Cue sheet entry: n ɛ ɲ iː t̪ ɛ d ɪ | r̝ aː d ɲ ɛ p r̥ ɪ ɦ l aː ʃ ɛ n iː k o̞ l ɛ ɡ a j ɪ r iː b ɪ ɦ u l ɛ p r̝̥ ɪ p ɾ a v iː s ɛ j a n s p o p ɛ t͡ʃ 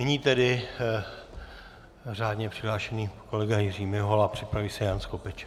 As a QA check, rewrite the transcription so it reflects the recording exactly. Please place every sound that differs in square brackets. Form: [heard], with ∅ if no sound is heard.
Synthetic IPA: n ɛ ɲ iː t̪ ɛ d ɪ | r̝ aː d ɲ ɛ p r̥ ɪ ɦ l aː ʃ ɛ n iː k o̞ l ɛ ɡ a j ɪ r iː [m] ɪ ɦ [o] l [a] p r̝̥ ɪ p ɾ a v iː s ɛ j a n s [k] o p ɛ t͡ʃ